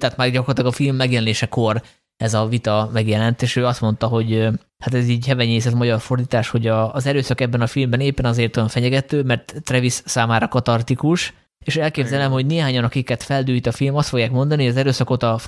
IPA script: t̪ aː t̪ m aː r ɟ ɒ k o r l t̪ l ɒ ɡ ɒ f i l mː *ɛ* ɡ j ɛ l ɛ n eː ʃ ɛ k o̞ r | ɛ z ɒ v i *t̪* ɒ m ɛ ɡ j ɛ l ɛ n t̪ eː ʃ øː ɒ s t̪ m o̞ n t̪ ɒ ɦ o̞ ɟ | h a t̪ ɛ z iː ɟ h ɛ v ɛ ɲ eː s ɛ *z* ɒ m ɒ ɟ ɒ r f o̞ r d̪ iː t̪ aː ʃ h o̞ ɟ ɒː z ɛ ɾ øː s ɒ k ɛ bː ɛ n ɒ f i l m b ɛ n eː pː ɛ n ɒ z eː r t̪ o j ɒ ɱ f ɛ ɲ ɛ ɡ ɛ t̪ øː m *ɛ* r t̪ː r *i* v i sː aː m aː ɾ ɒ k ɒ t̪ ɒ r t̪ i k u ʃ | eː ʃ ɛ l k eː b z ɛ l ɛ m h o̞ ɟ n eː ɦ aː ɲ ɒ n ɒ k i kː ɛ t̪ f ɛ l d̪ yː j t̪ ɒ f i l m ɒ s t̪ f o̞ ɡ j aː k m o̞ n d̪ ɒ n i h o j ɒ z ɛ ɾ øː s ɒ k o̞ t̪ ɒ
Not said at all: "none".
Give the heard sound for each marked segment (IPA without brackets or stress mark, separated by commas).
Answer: ɛ, t̪, z, ɛ, ɛ